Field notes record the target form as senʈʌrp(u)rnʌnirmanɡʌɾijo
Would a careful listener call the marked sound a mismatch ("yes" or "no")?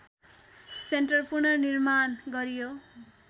no